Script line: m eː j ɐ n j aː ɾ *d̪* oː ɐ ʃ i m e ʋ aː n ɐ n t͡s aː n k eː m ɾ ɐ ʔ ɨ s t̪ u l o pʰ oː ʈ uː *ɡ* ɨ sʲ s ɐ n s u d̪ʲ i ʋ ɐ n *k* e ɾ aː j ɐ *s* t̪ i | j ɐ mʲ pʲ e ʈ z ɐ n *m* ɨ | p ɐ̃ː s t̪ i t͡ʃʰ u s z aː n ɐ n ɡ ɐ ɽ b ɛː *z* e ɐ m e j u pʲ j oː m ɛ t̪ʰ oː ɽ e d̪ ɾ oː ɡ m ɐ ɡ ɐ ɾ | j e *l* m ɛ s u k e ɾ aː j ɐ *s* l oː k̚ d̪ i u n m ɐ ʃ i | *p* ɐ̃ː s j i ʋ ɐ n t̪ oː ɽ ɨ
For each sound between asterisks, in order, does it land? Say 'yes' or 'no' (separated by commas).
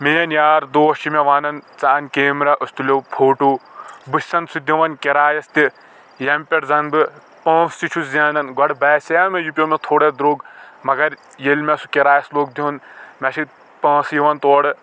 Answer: yes, no, yes, yes, no, no, yes, yes, yes